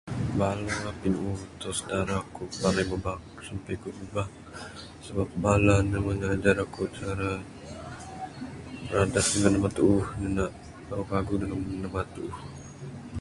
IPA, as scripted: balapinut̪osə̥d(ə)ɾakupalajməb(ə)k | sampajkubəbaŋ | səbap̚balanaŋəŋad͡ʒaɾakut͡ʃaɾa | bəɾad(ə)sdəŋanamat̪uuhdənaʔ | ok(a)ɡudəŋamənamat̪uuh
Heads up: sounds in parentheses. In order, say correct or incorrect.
incorrect: a, incorrect: a, incorrect: a, correct

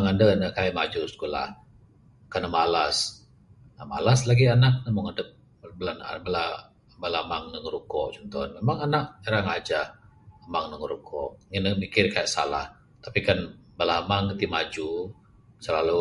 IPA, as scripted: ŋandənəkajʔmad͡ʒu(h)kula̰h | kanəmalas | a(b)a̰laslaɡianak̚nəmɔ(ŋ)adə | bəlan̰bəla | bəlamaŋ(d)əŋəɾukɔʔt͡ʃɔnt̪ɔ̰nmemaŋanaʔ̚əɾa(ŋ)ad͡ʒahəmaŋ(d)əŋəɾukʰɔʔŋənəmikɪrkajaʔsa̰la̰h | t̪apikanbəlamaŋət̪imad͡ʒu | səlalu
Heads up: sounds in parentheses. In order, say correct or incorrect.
incorrect: s, incorrect: m, correct, incorrect: n, correct, incorrect: n

